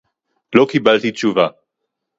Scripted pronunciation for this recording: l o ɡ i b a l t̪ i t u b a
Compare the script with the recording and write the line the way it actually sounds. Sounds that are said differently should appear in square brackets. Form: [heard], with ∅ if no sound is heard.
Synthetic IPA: l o [k] i b a l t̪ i [t͡ʃ] u [v] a